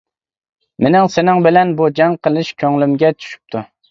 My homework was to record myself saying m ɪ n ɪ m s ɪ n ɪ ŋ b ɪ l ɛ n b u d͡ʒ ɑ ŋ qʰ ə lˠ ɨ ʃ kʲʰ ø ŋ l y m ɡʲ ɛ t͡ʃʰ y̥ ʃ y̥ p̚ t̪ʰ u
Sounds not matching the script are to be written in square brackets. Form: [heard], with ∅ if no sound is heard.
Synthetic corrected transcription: m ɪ n ɪ [ŋ] s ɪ n ɪ ŋ b ɪ l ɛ n b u d͡ʒ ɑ ŋ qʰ ə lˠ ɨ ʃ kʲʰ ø ŋ l y m ɡʲ ɛ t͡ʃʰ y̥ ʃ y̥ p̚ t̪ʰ u